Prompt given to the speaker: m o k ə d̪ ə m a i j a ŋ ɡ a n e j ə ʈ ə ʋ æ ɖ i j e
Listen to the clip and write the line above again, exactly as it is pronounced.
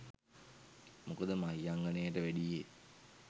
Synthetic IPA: m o k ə d̪ ə m a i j a ŋ ɡ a n e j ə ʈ ə ʋ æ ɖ i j e

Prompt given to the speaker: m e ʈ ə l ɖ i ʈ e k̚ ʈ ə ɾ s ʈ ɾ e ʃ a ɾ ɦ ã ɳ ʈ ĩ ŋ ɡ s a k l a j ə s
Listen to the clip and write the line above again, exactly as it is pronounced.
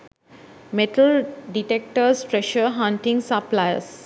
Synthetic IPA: m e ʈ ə l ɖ i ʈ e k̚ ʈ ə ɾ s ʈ ɾ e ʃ ə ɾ ɦ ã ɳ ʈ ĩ ŋ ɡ s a p l a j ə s

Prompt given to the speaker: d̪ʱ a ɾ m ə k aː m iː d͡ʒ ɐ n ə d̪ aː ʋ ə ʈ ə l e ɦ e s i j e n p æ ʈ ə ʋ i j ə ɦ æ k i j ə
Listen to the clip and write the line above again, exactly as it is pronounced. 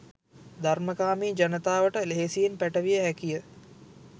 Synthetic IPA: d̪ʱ a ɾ m ə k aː m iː d͡ʒ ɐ n ə t̪ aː ʋ ə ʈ ə l e ɦ e s i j e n p æ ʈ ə ʋ i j ə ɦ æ k i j ə

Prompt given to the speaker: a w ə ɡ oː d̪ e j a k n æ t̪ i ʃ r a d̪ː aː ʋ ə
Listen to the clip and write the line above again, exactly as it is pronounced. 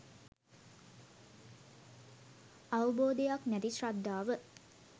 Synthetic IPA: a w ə b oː d̪ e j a k n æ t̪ i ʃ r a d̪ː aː ʋ ə

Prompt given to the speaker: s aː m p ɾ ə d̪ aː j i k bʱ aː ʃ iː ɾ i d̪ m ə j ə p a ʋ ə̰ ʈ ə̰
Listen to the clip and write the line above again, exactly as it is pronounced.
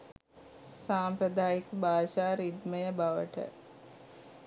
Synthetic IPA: s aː m p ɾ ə d̪ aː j i k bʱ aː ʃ aː ɾ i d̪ m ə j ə b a ʋ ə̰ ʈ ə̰

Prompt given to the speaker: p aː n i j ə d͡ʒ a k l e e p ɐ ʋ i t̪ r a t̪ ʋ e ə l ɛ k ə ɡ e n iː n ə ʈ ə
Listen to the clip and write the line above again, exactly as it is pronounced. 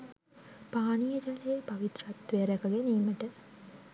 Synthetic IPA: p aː n i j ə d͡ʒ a l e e p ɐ ʋ i t̪ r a t̪ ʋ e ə ɾ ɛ k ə ɡ e n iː m ə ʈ ə

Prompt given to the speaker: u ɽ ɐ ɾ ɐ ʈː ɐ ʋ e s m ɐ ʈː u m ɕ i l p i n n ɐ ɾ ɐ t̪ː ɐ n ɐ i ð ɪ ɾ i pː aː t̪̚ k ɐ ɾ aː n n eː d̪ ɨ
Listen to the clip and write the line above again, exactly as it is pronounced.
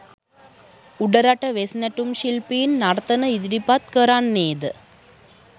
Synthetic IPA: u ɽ ɐ ɾ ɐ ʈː ɐ ʋ e s n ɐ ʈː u m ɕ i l p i n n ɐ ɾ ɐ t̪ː ɐ n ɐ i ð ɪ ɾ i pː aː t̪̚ k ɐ ɾ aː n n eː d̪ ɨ

